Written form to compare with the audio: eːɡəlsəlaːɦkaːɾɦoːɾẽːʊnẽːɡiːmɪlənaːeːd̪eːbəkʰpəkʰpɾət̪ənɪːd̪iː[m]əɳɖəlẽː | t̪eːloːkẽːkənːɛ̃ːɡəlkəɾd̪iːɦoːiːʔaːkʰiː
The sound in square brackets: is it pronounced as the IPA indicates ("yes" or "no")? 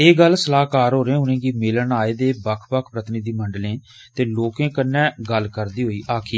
yes